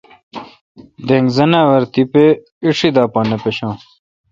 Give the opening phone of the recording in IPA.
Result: d̪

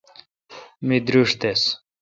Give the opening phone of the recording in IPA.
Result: m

